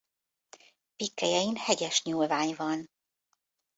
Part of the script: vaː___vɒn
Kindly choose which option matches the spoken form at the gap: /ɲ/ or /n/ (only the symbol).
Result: ɲ